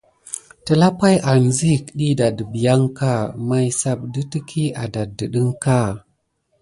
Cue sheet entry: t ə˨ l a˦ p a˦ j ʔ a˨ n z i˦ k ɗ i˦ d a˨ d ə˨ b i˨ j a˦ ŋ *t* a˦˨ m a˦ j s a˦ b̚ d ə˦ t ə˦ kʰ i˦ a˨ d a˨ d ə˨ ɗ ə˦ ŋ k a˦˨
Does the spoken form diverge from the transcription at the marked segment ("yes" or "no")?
yes